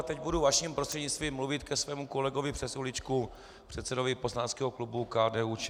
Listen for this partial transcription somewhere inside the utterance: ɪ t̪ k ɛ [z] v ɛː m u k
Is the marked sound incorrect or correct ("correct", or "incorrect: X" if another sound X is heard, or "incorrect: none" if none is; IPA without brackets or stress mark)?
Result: incorrect: s